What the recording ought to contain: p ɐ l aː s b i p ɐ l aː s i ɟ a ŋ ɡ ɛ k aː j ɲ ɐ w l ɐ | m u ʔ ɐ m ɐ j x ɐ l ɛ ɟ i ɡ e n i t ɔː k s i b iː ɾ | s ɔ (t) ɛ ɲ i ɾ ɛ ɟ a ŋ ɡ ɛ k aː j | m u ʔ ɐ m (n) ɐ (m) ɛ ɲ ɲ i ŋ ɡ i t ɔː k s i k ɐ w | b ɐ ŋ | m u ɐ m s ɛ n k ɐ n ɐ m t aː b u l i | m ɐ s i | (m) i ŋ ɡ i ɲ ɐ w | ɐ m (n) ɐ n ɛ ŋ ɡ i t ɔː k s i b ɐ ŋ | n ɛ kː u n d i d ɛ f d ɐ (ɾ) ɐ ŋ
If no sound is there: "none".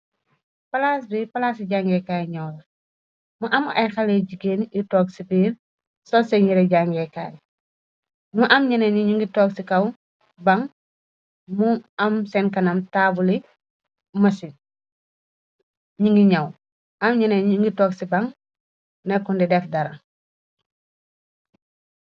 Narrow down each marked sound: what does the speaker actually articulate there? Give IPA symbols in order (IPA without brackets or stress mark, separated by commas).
s, ɲ, n, ɲ, ɲ, ɾ